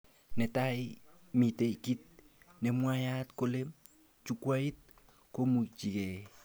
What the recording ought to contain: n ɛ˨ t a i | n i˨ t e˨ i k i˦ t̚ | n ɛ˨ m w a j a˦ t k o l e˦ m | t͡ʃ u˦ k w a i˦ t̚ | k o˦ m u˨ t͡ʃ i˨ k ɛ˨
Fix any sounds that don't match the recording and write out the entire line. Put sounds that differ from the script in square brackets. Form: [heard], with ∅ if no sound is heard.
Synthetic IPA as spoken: n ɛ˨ t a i | [m] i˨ t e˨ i k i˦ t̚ | n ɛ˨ m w a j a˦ t k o l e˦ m | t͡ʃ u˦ k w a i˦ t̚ | k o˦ m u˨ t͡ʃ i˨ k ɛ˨